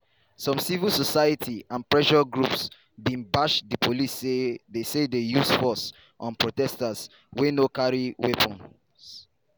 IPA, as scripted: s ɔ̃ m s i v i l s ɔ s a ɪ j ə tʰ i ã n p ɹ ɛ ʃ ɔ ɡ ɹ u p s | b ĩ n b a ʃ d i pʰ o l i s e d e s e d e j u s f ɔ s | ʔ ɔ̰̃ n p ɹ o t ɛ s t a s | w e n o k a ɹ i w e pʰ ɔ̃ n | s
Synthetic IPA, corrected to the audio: s ɔ̃ m s i v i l s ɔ s a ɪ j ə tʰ i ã n p ɹ ɛ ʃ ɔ ɡ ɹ u p s | b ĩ n b a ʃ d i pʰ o l i s e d e s e d e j u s f ɔ s | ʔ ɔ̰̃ n p ɹ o t ɛ s t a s | w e n o k a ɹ i w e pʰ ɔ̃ n | s